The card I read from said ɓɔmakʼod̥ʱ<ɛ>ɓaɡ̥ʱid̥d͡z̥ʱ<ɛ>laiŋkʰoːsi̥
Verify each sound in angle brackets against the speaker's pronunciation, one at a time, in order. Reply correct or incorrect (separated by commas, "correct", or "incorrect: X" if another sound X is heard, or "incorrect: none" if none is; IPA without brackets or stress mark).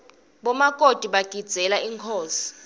incorrect: i, correct